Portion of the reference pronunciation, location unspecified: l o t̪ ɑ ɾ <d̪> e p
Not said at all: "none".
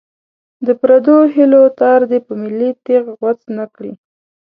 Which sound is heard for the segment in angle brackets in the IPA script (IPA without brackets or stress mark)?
d̪